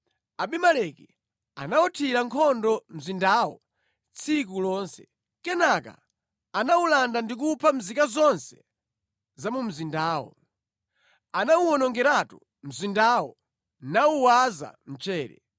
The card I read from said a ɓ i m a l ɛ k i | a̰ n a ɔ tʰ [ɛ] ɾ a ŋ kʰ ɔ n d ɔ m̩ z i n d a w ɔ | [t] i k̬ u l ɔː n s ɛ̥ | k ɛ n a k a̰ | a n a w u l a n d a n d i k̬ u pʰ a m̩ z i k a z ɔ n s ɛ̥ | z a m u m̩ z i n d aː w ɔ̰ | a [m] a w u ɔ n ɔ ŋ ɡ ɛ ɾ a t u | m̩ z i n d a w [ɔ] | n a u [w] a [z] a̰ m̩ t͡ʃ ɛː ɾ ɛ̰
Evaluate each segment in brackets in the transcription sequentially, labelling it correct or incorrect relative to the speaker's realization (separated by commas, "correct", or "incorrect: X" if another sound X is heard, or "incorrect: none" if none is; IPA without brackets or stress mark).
incorrect: i, incorrect: t͡sʰ, incorrect: n, correct, correct, correct